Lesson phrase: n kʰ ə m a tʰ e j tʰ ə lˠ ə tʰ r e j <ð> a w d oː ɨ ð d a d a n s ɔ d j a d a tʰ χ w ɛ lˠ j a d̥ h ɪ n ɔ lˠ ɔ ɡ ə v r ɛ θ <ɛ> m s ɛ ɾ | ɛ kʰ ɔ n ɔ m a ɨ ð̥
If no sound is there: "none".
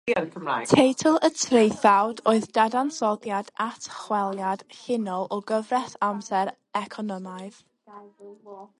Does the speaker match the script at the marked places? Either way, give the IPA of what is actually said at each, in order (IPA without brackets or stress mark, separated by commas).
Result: θ, a